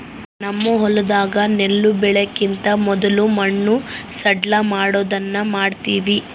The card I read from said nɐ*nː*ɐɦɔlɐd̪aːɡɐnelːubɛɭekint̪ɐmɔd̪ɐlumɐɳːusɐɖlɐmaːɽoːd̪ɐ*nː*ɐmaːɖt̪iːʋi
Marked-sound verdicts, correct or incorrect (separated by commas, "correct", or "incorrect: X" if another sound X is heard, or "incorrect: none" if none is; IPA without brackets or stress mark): incorrect: mː, correct